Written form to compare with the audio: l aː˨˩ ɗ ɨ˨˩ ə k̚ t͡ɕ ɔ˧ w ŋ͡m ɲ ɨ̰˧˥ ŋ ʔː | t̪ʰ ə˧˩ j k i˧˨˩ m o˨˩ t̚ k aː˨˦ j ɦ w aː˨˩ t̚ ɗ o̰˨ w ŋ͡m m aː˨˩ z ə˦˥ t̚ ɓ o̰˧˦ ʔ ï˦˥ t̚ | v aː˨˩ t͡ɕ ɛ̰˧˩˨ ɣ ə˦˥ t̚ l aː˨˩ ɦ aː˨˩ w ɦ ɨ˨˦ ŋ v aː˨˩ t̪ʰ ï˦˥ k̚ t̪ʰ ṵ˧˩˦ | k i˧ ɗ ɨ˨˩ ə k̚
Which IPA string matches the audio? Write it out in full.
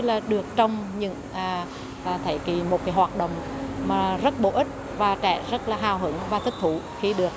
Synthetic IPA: l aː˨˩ ɗ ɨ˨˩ ə k̚ t͡ɕ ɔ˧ w ŋ͡m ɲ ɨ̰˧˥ ŋ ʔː | t̪ʰ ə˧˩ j k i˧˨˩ m o˨˩ t̚ k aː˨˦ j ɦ w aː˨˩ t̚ ɗ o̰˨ w ŋ͡m m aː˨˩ z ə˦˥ t̚ ɓ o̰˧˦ ʔ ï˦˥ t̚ | v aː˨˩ t͡ɕ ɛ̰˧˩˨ z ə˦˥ t̚ l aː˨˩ ɦ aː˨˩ w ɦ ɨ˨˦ ŋ v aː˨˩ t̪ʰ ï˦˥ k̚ t̪ʰ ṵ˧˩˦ | x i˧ ɗ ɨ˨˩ ə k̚

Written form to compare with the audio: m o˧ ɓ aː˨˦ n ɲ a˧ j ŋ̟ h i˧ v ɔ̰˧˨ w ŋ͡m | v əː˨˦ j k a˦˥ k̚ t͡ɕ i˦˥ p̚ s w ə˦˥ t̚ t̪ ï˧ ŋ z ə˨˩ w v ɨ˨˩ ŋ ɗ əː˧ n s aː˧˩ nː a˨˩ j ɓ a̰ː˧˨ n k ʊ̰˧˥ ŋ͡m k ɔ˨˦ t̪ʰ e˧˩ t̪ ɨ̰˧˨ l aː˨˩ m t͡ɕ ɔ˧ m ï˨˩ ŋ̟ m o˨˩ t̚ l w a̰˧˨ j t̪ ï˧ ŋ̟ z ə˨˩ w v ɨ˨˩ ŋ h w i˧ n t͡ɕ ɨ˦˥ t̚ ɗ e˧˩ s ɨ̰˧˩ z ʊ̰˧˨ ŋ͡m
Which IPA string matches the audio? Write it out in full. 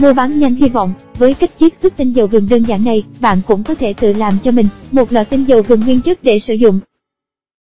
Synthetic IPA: m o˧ ɓ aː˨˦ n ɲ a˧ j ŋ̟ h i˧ v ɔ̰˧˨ w ŋ͡m | v əː˨˦ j k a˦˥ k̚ t͡ɕ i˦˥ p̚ s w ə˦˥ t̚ t̪ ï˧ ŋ z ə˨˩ w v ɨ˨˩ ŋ ɗ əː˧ n z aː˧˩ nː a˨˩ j ɓ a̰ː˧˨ n k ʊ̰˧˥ ŋ͡m k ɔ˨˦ t̪ʰ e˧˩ t̪ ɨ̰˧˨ l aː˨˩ m t͡ɕ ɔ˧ m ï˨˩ ŋ̟ m o˨˩ t̚ l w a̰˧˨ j t̪ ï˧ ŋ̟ z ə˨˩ w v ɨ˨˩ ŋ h w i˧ n t͡ɕ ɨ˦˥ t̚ ɗ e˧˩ s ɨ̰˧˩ z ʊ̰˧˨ ŋ͡m

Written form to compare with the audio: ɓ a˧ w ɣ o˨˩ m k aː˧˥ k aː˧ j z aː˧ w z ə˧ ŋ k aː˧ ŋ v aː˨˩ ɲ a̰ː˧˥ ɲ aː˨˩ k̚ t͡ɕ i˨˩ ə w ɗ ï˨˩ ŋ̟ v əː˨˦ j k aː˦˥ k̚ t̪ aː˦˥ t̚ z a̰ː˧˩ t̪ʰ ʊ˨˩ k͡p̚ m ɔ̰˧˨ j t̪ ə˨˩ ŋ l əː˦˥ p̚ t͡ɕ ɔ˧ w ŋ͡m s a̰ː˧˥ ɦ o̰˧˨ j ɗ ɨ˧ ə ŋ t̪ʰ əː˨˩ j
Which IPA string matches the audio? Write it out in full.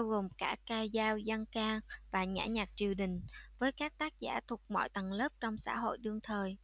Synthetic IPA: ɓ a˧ w ɣ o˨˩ m k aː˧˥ k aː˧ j z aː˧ w z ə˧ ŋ k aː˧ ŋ v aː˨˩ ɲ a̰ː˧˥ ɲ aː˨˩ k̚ t͡ɕ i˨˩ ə w ɗ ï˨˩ ŋ̟ v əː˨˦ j k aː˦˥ k̚ t̪ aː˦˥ k̚ z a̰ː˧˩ t̪ʰ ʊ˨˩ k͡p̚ m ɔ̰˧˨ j t̪ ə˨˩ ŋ l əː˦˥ p̚ t͡ɕ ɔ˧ w ŋ͡m s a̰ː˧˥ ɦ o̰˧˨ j ɗ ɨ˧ ə ŋ t̪ʰ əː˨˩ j

